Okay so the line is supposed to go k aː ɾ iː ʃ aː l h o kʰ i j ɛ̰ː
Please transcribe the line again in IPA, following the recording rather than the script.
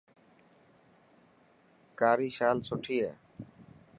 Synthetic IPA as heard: k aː ɾ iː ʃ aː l s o ʈʰ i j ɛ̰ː

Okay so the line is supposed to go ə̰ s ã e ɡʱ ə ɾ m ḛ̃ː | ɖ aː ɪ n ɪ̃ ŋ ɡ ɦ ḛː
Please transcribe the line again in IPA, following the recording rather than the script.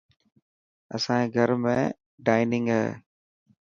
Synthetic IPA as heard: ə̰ s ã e ɡʱ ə ɾ m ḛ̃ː | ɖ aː ɪ n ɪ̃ ŋ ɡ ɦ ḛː

